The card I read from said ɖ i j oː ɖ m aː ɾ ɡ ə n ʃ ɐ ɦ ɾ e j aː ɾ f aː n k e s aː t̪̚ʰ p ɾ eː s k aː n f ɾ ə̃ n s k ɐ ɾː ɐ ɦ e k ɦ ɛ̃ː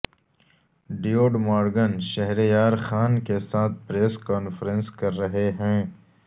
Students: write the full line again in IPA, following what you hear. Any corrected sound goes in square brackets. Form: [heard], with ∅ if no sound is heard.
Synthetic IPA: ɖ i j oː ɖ m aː ɾ ɡ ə n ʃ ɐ ɦ ɾ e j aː ɾ [x] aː n k e s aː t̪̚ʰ p ɾ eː s k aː n f ɾ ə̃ n s k ɐ ɾː ɐ ɦ e [∅] ɦ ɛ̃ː